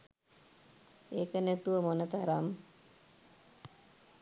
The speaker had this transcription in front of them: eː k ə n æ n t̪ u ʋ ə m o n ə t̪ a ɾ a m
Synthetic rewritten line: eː k ə n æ t̪ u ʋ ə m o n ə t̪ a ɾ a m

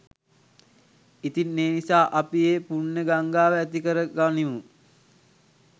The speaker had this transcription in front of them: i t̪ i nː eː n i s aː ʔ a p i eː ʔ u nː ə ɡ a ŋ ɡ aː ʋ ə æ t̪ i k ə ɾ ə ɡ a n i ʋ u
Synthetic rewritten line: i t̪ i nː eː n i s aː ʔ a p i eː p u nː ə ɡ a ŋ ɡ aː ʋ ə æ t̪ i k ə ɾ ə ɡ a n i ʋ u

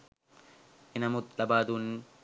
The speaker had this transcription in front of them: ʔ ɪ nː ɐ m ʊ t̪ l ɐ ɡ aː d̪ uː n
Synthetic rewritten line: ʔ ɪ n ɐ m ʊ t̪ l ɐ b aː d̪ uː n

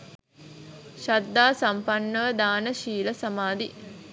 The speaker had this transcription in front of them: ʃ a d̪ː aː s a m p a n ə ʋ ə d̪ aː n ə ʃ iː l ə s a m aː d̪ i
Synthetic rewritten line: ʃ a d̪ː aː s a m p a nː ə ʋ ə d̪ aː n ə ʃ iː l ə s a m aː d̪ i

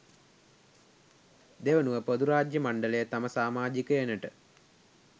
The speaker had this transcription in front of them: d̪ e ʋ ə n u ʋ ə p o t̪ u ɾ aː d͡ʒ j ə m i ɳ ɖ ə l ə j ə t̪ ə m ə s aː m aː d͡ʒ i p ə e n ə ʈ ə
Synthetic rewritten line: d̪ e ʋ ə n u ʋ ə p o d̪ u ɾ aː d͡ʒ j ə m a ɳ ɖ ə l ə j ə t̪ a m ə s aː m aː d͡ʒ i k ə e n ə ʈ ə

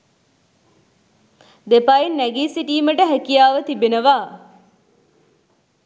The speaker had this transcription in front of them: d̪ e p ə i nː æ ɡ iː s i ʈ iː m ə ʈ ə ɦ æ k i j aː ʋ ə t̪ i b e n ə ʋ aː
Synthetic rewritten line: d̪ e p a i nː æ ɡ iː s i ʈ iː m ə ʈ ə ɦ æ k i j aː ʋ ə t̪ i b e n ə ʋ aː

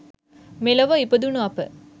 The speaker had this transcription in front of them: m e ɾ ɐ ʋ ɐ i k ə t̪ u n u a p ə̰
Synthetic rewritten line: m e l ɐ ʋ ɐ i p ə d̪ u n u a p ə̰

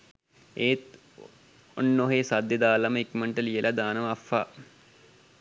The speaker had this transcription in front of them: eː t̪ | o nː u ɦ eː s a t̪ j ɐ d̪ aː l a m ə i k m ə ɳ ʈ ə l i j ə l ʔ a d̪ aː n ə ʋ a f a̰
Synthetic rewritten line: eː t̪ | o nː o ɦ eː s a d̪ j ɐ d̪ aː l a m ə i k m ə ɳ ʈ ə l i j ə l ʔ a d̪ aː n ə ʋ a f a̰

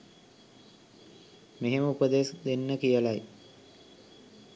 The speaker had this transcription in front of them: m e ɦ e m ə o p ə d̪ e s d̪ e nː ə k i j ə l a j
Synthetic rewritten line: m e ɦ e m ə u p ə d̪ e s d̪ e nː ə k i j ə l a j

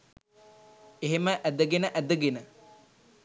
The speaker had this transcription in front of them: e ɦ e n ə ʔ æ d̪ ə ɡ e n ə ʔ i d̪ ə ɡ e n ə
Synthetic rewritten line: e ɦ e m ə ʔ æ d̪ ə ɡ e n ə ʔ æ d̪ ə ɡ e n ə

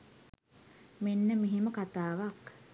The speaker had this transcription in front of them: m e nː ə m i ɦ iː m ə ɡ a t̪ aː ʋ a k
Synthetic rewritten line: m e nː ə m i ɦ i m ə k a t̪ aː ʋ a k

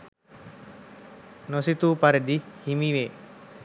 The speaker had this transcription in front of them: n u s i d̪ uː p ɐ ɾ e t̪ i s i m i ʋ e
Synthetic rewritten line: n o s i t̪ uː p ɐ ɾ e d̪ i h i m i ʋ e

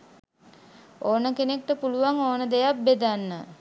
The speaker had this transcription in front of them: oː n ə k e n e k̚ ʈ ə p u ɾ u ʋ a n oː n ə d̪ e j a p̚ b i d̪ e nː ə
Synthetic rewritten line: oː n ə k e n e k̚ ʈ ə p u l u ʋ a ŋ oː n ə d̪ e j a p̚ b e d̪ a nː ə

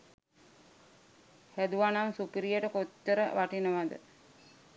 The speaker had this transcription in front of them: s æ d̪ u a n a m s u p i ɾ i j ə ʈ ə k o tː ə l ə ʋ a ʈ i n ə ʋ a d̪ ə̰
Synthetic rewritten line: h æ d̪ u a n a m s u p i ɾ i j ə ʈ ə k o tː ə ɾ ə ʋ a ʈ i n ə ʋ a d̪ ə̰

